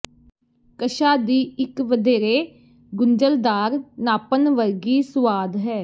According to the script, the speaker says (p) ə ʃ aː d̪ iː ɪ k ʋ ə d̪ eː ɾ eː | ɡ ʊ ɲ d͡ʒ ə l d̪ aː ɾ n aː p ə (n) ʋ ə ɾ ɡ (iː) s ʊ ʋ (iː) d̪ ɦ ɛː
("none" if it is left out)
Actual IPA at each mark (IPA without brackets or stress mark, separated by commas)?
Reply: k, n, iː, aː